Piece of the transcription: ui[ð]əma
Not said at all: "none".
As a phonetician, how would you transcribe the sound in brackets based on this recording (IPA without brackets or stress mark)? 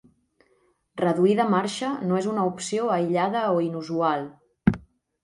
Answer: ð